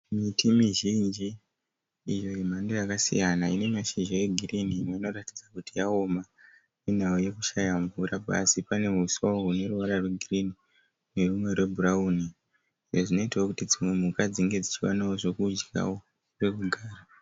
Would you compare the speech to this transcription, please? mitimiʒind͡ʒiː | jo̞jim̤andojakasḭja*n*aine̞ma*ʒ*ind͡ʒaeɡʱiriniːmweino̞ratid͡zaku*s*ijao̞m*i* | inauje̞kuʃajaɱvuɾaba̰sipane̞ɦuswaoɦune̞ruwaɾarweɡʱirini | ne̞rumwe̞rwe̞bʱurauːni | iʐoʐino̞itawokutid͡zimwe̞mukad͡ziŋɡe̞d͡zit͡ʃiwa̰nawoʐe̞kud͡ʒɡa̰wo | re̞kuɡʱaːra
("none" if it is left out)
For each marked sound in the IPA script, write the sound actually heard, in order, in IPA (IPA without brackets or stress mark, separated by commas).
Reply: n, ʃ, t, a